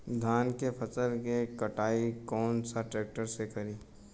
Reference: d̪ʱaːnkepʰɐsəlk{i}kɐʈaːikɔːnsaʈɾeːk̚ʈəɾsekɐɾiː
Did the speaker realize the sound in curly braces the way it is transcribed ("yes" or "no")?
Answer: no